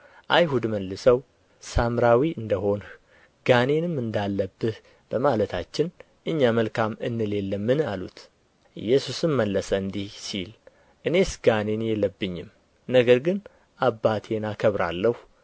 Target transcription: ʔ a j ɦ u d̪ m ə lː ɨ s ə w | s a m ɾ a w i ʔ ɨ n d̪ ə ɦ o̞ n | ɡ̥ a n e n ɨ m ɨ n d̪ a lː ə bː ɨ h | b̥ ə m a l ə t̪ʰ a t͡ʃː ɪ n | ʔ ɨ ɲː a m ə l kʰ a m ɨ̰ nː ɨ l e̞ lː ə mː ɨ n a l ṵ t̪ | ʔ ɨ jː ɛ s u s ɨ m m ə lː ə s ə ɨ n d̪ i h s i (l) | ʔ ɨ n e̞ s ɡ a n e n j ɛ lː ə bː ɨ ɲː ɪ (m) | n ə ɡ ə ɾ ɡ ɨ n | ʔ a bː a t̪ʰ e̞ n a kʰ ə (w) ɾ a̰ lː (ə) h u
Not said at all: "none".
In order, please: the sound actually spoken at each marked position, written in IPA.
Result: l, m, β, ə

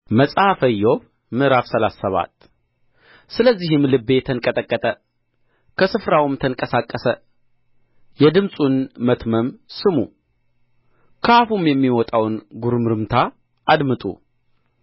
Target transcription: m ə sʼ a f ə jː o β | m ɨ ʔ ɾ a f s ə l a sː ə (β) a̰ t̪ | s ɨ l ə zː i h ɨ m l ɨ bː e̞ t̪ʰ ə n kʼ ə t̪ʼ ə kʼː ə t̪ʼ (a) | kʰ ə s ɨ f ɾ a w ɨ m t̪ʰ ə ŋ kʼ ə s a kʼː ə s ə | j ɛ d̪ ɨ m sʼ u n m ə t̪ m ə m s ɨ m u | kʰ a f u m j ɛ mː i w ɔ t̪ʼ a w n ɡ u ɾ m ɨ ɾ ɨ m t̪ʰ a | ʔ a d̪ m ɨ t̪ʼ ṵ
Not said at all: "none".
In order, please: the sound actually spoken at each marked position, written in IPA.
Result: β, ə

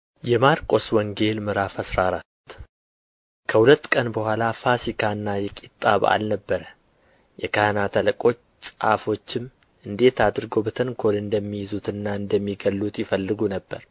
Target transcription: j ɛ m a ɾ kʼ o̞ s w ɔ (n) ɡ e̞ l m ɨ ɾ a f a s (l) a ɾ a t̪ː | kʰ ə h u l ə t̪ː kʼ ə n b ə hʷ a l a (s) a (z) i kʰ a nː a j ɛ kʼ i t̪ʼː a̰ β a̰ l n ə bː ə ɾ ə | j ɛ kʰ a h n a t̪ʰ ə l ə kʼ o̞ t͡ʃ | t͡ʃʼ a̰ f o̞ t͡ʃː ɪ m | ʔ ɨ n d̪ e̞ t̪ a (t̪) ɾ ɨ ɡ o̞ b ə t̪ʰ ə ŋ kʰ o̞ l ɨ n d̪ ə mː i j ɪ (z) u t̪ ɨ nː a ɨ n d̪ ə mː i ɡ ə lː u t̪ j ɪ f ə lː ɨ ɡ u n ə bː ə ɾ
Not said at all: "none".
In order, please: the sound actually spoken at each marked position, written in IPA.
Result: ŋ, ɾ, f, s, d̪, z

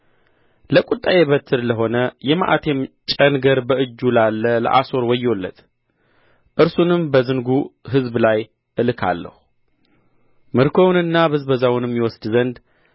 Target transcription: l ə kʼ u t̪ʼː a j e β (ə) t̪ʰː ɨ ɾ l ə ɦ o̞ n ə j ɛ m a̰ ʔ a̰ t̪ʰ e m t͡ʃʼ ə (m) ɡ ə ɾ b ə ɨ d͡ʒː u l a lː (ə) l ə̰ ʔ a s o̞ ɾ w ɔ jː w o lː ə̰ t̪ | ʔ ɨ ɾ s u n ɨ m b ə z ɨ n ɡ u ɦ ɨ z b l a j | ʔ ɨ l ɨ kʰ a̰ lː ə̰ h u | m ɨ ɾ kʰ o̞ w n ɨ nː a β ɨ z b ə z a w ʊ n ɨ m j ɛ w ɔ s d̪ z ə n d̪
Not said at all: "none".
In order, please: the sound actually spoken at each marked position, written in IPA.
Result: ə, n, ə

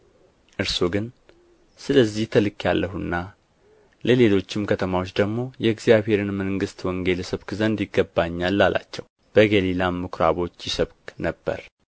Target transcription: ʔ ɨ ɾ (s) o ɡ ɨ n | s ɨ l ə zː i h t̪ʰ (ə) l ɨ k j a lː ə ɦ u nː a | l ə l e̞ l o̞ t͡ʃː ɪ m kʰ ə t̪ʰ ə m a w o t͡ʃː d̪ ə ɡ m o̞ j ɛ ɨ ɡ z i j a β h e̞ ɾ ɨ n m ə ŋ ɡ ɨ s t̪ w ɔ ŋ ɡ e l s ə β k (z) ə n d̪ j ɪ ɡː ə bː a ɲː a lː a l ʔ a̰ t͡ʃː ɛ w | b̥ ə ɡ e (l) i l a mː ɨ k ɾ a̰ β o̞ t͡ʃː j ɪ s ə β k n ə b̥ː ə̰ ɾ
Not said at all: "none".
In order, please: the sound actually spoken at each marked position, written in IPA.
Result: s, ə, z, l

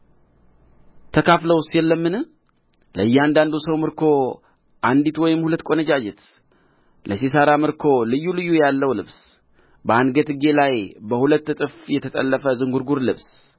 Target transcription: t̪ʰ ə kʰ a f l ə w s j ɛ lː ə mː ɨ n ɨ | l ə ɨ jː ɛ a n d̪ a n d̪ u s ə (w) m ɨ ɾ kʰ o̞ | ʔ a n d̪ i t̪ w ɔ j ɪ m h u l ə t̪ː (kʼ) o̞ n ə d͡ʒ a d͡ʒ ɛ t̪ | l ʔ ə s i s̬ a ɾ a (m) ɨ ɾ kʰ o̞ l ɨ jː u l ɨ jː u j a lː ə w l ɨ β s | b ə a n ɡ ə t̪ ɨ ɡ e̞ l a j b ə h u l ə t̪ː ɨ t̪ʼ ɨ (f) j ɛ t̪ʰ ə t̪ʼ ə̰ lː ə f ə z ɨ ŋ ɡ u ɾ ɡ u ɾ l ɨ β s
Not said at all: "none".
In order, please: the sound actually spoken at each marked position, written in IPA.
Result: w, kʼ, m, f

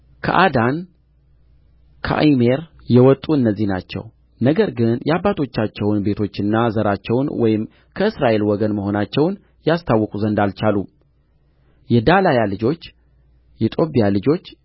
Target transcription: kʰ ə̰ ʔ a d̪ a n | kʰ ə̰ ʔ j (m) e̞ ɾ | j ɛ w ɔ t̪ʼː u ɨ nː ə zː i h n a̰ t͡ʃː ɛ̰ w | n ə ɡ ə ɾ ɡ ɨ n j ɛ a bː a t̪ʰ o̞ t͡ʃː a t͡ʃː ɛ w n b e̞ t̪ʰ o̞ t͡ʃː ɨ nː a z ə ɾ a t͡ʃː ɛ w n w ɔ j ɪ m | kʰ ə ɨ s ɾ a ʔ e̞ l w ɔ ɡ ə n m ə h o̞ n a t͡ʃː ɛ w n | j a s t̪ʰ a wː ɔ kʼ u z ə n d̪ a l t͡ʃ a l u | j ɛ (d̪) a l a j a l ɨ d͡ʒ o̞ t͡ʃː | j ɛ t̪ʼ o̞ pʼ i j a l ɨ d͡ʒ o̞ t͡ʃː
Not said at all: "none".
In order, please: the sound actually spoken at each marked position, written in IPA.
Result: m, d̪

